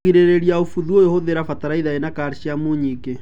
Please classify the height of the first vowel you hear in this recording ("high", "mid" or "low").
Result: high